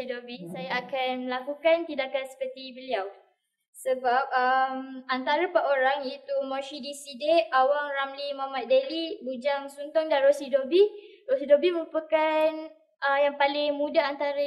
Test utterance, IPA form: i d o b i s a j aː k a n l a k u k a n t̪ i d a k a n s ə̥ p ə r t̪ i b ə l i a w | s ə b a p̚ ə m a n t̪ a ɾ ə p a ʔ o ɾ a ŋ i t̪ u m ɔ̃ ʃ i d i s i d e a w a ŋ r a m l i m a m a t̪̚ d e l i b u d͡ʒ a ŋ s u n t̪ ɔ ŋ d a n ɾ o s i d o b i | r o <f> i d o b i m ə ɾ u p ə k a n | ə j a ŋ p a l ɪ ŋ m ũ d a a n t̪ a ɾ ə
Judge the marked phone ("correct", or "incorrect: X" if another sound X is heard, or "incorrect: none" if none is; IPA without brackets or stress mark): incorrect: s